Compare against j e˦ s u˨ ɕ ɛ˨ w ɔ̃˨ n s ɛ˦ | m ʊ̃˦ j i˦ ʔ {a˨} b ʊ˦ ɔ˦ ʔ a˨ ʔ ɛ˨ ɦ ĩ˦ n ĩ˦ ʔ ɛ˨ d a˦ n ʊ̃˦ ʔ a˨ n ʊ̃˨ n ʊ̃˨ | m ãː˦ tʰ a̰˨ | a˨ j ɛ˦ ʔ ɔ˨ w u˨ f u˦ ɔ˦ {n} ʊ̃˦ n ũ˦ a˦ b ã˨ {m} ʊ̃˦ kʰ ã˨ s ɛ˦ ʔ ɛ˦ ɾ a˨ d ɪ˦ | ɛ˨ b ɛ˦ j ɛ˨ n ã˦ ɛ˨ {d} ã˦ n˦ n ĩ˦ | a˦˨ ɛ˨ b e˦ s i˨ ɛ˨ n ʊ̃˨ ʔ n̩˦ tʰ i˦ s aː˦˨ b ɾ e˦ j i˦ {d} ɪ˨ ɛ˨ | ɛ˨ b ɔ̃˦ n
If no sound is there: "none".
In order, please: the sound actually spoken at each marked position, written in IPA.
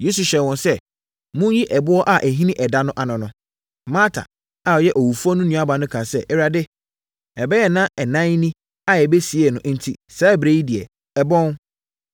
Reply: ɛ˨, n, n, n, d

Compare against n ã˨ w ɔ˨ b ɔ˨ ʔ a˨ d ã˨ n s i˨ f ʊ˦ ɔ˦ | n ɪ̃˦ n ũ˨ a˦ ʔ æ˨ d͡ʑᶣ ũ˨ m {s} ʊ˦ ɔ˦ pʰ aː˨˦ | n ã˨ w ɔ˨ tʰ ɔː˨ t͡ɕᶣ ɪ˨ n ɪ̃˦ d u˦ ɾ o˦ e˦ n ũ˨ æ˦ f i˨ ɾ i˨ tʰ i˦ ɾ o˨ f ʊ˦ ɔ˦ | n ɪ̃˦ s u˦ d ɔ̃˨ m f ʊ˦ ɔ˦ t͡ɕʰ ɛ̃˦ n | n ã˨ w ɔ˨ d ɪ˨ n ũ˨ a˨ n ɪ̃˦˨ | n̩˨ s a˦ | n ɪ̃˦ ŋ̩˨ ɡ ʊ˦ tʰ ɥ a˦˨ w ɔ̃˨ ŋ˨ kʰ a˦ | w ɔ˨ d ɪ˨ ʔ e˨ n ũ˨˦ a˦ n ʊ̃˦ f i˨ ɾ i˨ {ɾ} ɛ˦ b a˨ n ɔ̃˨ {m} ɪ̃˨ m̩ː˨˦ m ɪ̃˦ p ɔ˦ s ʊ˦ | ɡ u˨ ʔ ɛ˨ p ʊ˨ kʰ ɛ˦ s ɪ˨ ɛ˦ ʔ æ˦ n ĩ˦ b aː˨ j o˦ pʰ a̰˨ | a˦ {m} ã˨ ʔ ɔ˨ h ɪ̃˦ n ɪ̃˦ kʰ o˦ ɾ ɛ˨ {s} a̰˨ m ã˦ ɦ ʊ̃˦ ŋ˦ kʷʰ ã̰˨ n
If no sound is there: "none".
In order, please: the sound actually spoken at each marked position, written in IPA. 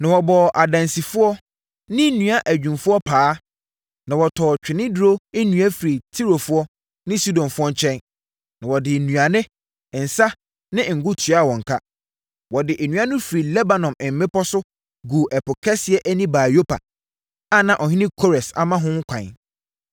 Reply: f, l, m, n, s

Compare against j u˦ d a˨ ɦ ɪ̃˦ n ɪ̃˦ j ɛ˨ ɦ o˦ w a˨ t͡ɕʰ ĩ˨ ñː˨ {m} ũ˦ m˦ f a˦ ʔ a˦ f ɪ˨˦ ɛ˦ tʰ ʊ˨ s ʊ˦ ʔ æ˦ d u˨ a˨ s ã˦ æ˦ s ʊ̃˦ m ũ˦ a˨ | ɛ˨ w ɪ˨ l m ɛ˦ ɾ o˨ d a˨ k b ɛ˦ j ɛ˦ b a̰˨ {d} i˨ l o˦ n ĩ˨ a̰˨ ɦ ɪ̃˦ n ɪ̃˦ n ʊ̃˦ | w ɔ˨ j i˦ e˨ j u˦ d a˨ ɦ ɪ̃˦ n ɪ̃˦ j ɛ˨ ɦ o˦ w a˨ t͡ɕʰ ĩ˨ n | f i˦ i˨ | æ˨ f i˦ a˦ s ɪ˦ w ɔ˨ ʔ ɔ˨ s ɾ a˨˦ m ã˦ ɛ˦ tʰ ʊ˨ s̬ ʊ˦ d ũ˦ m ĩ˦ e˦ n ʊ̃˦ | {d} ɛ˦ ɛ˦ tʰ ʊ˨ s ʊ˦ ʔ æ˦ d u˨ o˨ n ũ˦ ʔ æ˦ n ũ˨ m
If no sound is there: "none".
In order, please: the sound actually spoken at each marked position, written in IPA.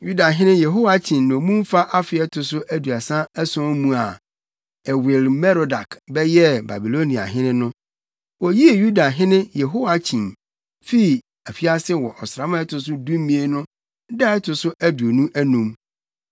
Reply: m, b, d

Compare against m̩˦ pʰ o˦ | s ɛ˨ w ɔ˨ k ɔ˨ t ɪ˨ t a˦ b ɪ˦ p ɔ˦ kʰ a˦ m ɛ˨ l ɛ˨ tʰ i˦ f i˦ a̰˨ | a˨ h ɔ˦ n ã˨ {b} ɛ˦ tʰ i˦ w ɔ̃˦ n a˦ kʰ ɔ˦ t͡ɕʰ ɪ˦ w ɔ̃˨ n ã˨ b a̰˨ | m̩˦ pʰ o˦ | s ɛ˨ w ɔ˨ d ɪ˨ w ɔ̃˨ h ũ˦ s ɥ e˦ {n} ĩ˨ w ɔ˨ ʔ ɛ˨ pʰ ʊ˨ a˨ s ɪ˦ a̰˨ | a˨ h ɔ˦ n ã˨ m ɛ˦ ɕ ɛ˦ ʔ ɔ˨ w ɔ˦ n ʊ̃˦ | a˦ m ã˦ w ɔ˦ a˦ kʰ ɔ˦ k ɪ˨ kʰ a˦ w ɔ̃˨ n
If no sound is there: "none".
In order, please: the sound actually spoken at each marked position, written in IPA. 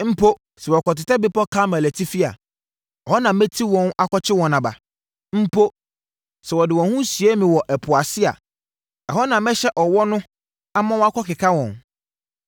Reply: m, m

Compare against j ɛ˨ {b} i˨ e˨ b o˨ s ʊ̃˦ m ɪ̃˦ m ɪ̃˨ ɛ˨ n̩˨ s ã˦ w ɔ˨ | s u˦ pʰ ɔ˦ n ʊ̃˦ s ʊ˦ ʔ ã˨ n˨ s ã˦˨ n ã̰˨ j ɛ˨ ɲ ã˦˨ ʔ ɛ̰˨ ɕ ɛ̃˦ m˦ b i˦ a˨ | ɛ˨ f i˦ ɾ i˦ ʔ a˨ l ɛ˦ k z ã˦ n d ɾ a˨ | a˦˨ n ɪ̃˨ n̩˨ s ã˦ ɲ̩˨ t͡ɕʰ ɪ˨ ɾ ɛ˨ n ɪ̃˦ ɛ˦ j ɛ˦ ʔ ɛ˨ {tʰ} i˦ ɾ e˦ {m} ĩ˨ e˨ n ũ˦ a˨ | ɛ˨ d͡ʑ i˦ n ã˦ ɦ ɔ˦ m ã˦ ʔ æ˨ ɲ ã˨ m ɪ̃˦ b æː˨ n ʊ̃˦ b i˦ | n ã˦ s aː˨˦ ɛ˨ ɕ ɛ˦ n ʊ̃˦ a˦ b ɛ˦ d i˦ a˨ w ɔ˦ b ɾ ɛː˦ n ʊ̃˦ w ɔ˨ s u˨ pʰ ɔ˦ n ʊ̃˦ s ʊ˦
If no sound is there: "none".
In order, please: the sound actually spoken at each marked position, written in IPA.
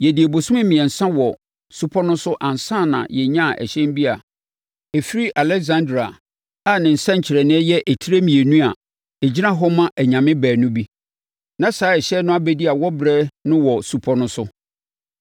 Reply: d, tʰ, m

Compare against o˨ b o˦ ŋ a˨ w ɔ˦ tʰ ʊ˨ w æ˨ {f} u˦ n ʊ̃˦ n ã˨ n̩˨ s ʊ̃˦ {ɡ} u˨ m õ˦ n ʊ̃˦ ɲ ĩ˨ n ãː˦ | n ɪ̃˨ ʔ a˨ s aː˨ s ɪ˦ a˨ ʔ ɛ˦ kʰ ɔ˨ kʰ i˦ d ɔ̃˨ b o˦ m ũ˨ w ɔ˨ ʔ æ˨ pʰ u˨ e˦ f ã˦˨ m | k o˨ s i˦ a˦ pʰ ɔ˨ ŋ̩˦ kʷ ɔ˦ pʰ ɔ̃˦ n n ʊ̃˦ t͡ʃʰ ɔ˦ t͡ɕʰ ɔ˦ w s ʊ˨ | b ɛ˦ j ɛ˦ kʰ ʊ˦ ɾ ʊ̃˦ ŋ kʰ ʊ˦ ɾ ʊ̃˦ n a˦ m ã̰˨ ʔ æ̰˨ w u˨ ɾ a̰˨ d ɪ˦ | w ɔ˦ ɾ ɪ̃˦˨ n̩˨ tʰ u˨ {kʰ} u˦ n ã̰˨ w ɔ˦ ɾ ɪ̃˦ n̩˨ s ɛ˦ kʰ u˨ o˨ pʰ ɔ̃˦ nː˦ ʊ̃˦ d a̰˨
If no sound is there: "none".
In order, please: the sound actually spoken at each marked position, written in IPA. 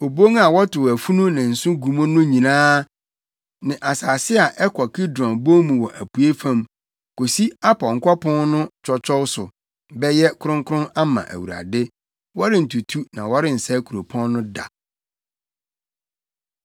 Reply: f, ɡ, tʰ

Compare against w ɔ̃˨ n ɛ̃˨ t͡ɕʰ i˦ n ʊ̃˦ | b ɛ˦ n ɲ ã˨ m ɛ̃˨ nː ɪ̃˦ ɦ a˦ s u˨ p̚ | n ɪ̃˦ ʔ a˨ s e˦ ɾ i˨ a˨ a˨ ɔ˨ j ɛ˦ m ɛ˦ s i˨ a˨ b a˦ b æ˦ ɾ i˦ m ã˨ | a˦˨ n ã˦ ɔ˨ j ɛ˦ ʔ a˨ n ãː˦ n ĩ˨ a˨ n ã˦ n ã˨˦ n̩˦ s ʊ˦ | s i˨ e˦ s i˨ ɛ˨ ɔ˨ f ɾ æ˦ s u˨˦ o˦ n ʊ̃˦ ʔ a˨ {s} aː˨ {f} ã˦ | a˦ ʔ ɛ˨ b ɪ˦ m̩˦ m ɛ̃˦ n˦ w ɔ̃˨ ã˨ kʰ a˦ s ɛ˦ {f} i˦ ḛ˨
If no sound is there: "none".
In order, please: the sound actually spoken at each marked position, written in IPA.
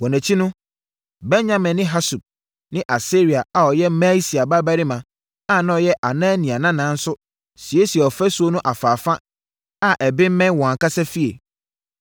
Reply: f, f, f

